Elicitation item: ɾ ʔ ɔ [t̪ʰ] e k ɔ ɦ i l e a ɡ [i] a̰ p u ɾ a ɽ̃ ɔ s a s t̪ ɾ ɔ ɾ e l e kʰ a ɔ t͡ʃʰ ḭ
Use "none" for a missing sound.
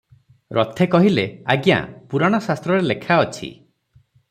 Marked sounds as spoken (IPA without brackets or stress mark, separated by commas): t̪ʰ, j